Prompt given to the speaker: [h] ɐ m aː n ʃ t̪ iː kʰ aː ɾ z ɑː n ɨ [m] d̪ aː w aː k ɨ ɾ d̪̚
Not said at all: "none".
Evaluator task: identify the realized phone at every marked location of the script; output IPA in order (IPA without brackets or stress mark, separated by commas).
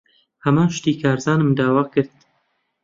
h, m